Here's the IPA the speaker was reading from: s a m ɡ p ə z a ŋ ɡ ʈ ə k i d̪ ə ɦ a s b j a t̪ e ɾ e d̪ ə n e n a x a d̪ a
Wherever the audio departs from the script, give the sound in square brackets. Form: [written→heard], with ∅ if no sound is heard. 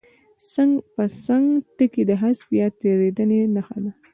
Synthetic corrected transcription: s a [m→ŋ] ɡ p ə [z→s] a ŋ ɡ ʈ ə k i d̪ ə ɦ a s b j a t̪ e ɾ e d̪ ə n e n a x a d̪ a